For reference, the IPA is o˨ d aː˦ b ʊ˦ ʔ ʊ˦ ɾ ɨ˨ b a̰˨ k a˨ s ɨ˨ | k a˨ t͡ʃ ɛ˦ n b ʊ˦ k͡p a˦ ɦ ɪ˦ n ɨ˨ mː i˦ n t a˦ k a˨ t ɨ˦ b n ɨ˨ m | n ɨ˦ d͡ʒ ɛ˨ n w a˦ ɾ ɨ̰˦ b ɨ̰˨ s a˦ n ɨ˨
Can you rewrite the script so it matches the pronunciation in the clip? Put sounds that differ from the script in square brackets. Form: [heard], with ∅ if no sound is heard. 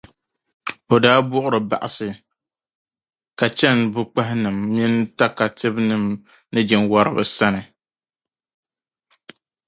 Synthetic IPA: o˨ d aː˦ b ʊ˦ ʔ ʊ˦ ɾ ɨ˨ b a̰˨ [ʔ] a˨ s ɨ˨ | k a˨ t͡ʃ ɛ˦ n b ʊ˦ k͡p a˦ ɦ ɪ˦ n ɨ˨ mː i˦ n t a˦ k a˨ t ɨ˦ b n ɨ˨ m | n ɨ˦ d͡ʒ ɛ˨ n w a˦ ɾ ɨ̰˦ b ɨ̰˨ s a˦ n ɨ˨